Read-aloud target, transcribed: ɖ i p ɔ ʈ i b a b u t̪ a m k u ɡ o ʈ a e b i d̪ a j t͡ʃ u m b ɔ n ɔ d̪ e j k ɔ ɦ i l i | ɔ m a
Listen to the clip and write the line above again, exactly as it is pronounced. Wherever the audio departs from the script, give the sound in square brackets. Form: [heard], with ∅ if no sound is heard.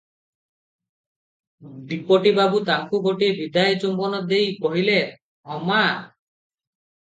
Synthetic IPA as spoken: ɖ i p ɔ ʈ i b a b u t̪ a [ŋ] k u ɡ o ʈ [i] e b i d̪ a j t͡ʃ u m b ɔ n ɔ d̪ e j k ɔ ɦ i l [e] | ɔ m a